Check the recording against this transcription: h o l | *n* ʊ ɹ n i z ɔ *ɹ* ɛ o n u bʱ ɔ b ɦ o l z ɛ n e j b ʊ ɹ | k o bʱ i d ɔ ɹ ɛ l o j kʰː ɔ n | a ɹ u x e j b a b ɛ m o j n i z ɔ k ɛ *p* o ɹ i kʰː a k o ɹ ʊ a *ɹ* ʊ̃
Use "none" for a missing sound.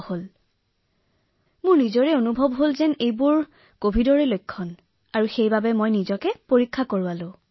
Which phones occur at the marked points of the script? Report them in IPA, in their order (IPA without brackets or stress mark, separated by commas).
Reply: m, ɹ, p, l